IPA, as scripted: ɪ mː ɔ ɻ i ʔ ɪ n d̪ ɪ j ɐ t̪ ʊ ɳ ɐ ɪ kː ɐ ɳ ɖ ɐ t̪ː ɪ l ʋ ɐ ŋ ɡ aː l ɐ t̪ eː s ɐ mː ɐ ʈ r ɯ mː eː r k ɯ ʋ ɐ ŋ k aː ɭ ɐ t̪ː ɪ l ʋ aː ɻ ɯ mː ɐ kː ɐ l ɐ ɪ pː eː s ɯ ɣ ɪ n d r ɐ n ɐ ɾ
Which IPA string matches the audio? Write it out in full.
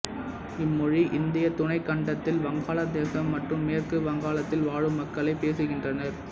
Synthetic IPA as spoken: ɪ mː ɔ ɻ i ʔ ɪ n d̪ ɪ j ɐ t̪ ʊ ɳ ɐ ɪ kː ɐ ɳ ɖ ɐ t̪ː ɪ l ʋ ɐ ŋ ɡ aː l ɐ d̪ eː s ɐ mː ɐ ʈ r ɯ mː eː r k ɯ ʋ ɐ ŋ ɡ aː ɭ ɐ t̪ː ɪ l ʋ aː ɻ ɯ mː ɐ kː ɐ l ɐ ɪ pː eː s ɯ ɣ ɪ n d r ɐ n ɐ ɾ